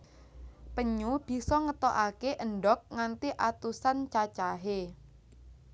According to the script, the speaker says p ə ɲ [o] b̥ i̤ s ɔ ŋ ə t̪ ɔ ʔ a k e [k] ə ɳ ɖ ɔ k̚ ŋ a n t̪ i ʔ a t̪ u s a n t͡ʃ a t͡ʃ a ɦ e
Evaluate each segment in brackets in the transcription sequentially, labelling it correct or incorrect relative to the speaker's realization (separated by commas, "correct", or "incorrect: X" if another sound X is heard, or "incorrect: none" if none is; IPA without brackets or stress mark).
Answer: incorrect: u, incorrect: ʔ